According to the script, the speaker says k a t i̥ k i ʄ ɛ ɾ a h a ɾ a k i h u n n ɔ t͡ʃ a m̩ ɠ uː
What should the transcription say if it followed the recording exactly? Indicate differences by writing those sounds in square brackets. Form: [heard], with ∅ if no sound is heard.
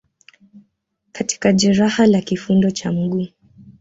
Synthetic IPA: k a t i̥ k [a] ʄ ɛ ɾ a h a [l] a k i [f] u n [d] ɔ t͡ʃ a m̩ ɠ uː